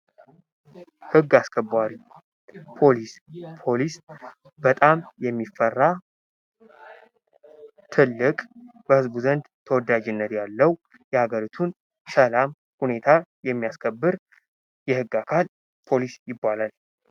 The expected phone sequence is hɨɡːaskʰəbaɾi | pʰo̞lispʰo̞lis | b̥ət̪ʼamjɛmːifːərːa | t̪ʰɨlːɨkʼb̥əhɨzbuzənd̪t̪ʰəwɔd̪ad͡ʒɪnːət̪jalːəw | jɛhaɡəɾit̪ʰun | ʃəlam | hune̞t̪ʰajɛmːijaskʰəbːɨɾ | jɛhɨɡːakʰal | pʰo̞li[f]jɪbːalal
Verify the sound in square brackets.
incorrect: s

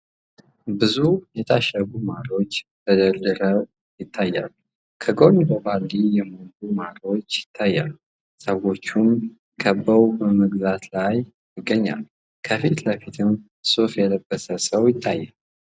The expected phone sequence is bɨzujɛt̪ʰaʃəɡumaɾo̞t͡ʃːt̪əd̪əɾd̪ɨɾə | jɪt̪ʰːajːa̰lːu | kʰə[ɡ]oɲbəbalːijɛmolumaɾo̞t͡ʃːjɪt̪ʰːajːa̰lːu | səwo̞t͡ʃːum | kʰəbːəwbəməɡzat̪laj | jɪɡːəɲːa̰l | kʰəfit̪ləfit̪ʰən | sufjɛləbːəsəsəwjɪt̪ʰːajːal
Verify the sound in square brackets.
correct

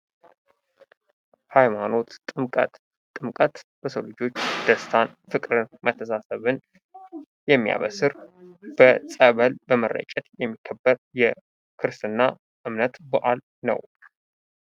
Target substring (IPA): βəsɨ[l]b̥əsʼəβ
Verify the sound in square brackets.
incorrect: ɾ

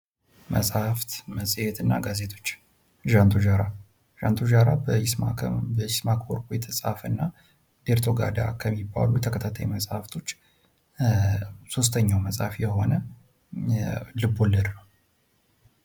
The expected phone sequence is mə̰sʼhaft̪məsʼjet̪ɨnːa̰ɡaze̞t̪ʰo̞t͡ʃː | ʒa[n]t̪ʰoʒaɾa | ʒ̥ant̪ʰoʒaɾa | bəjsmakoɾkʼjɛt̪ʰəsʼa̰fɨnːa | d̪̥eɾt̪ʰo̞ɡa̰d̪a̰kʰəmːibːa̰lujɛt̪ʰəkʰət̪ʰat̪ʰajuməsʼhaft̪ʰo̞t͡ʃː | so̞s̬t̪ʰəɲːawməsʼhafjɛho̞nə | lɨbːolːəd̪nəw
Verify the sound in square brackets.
correct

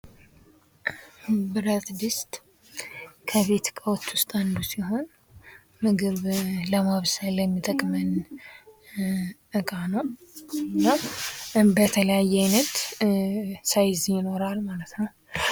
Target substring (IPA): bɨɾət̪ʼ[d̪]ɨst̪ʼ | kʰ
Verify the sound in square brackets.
correct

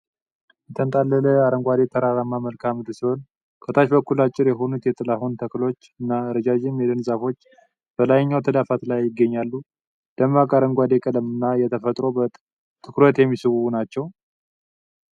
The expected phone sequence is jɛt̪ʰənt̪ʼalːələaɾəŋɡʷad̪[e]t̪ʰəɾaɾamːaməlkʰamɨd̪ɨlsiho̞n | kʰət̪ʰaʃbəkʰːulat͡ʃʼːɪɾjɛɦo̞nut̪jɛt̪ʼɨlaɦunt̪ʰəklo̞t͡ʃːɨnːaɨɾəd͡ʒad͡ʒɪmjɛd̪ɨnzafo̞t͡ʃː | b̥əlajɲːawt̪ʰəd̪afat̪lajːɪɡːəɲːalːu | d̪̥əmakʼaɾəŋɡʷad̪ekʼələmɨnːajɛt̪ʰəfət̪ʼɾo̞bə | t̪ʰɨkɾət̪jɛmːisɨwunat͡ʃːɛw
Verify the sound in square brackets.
correct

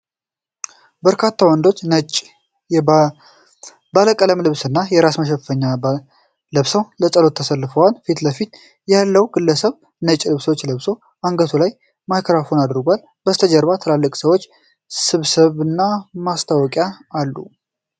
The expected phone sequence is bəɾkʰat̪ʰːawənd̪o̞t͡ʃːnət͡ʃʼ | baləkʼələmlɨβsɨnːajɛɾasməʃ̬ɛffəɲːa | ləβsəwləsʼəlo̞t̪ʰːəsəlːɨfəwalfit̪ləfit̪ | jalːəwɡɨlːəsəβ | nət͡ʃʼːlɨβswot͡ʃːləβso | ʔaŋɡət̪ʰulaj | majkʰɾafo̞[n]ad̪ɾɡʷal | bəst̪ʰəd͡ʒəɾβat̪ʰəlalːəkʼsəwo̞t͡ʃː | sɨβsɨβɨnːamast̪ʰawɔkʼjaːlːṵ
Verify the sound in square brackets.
correct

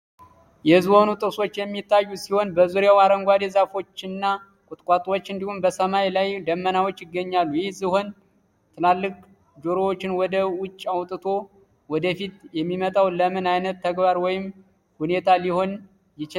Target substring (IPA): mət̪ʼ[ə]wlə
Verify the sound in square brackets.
incorrect: a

